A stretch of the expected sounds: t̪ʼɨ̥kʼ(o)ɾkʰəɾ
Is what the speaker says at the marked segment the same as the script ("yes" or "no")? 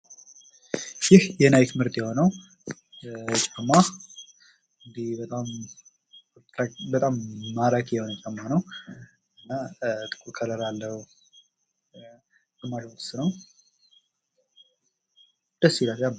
no